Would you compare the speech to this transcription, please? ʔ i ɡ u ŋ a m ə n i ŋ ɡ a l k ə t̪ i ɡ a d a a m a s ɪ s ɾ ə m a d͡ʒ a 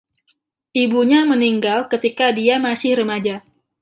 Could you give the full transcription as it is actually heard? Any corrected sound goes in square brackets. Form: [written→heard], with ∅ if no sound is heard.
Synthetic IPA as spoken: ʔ i [ɡ→b] u [ŋ→ɲ] a m ə n i ŋ ɡ a l k ə t̪ i [ɡ→k] a d [a→i] a m a s ɪ [s→h] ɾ ə m a d͡ʒ a